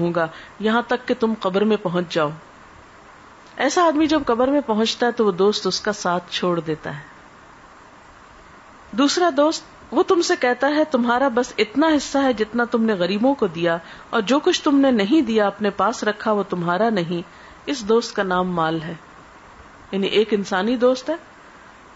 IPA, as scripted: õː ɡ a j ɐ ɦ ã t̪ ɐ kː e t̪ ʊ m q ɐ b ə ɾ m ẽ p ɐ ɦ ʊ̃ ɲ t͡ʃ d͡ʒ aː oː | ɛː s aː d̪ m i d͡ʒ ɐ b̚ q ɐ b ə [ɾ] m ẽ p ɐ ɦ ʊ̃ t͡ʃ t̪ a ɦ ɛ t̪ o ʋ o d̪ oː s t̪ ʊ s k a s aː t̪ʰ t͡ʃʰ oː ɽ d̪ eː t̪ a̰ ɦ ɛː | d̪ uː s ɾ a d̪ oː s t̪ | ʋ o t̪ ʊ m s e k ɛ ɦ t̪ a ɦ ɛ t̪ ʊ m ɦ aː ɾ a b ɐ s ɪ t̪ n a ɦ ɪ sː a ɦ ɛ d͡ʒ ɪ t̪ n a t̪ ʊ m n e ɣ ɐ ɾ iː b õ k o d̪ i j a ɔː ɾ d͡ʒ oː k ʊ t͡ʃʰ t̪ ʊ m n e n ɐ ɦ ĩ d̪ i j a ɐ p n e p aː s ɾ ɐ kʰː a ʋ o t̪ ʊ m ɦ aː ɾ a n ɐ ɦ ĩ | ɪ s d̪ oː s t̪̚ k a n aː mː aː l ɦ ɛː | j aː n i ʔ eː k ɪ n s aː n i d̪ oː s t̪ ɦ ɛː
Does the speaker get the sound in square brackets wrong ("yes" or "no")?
no